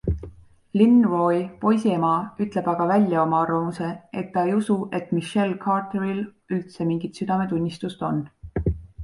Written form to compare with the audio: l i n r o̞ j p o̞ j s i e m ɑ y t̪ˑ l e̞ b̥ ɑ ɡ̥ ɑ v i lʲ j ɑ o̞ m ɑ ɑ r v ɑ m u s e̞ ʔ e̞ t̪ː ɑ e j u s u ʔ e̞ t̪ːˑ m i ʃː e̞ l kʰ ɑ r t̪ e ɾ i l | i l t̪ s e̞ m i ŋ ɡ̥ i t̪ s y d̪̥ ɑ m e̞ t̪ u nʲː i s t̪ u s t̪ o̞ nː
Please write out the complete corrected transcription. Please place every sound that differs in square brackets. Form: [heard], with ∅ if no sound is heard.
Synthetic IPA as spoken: l i n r o̞ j p o̞ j s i e m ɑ y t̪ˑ l e̞ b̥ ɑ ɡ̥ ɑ v [æ] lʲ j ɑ o̞ m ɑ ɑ r v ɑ m u s e̞ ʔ e̞ t̪ː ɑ e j u s u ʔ e̞ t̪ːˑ m i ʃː e̞ l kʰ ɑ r t̪ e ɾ i l | [y] l t̪ s e̞ m i ŋ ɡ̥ i t̪ s y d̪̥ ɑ m e̞ t̪ u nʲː i s t̪ u s t̪ o̞ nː